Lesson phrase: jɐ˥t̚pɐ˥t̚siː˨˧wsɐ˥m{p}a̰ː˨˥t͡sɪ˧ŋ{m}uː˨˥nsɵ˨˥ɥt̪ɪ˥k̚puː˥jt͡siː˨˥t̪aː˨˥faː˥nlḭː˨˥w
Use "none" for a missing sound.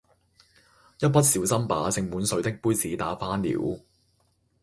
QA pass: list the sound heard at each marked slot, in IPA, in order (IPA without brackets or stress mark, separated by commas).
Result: p, m